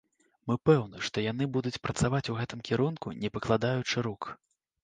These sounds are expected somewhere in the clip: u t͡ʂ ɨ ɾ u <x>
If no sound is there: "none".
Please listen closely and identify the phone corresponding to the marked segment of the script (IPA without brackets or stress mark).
k